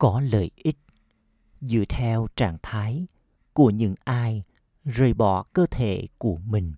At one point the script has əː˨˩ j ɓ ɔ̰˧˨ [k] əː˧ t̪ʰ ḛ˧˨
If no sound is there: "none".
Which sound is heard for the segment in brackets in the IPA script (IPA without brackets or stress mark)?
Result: k